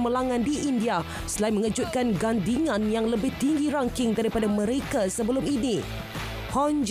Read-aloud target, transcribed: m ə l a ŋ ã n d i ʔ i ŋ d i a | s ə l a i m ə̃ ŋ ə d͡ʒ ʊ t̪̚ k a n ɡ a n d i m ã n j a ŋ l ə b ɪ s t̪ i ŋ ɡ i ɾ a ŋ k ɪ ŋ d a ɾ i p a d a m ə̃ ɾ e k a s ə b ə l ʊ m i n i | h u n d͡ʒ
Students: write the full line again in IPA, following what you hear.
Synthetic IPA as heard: m ə l a ŋ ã n d i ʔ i n d i a | s ə l a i m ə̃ ŋ ə d͡ʒ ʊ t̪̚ k a n ɡ a n d i ŋ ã n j a ŋ l ə b ɪ h t̪ i ŋ ɡ i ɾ a ŋ k ɪ ŋ d a ɾ i p a d a m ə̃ ɾ e k a s ə b ə l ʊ m i n i | h ɔ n d͡ʒ